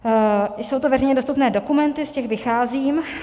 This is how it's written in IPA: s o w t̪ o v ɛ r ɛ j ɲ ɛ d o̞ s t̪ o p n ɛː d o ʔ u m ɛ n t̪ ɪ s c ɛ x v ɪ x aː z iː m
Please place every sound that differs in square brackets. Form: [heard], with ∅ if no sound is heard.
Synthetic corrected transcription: s o w t̪ o v ɛ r ɛ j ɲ ɛ d o̞ s t̪ [u] p n ɛː d o [k] u m ɛ n t̪ ɪ s c ɛ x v ɪ x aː z iː m